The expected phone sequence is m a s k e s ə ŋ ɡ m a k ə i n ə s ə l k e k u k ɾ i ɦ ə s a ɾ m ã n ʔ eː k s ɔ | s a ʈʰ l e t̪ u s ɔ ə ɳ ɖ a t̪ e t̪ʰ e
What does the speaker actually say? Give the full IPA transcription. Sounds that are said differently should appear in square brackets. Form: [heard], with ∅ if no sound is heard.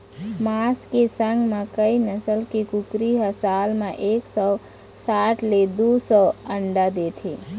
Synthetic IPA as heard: m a s k e s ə ŋ ɡ m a k ə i n ə s ə l k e k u k ɾ i ɦ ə s a [l] m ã [∅] ʔ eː k s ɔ | s a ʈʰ l e [d̪] u s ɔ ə ɳ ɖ a [d̪] e t̪ʰ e